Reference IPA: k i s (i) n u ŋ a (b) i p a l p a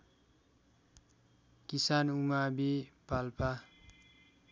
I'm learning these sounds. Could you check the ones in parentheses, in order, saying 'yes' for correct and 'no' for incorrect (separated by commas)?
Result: no, yes